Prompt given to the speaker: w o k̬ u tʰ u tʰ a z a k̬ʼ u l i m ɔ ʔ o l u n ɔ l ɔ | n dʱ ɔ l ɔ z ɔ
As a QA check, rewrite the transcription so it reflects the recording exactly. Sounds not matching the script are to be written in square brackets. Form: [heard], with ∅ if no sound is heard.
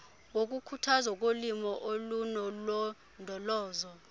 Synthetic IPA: w o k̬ u [kʰ] u tʰ a z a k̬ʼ [o] l i m ɔ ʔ o l u n ɔ l ɔ | n dʱ ɔ l [ɔː] z ɔ

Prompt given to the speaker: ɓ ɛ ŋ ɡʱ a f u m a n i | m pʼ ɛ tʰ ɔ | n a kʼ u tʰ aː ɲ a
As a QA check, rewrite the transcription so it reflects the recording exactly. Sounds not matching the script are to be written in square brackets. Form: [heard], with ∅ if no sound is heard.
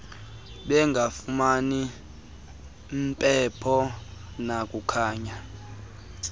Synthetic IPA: ɓ ɛ ŋ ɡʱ a f u m a n i | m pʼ ɛ [pʰ] ɔ | n a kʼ u [kʰ] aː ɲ a

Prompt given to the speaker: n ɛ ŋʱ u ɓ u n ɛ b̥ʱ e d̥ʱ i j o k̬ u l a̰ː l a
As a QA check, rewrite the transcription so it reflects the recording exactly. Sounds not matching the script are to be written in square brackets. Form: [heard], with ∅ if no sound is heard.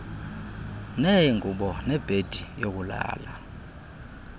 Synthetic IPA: n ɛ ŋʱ u ɓ [ɔ] n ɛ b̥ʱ e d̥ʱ i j o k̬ u l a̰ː l a

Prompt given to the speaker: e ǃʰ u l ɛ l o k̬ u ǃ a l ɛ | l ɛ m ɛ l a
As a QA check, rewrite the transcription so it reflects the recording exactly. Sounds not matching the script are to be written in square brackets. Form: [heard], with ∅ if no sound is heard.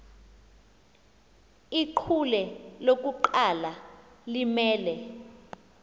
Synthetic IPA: [i] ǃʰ u l ɛ l o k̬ u ǃ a l [a] | l [i] m [ɛː] l [ɛ]

